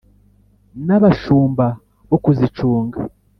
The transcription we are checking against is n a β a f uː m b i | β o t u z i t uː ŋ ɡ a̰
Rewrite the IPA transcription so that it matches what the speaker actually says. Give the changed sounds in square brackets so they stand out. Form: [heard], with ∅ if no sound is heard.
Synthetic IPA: n a β a [ʃ] uː m b [a] | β o [k] u z i [t͡ʃ] uː ŋ ɡ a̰